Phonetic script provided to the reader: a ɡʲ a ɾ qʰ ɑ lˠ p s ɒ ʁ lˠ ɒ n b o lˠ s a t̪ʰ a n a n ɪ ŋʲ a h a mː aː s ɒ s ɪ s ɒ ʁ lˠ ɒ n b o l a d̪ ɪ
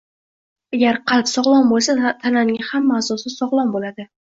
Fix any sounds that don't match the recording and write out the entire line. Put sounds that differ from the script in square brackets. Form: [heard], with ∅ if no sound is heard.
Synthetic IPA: a ɡʲ a ɾ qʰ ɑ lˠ p s ɒ ʁ lˠ ɒ n b o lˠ s a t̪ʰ a n a n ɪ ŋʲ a h a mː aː s ɒ s ɪ s ɒ ʁ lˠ ɒ n b o l a d̪ ɪ